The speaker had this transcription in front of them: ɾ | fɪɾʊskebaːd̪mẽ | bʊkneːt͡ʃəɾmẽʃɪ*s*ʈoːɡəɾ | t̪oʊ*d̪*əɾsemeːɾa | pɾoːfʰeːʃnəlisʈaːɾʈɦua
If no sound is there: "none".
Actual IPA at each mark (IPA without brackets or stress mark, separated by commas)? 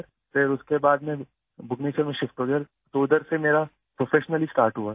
f, d̪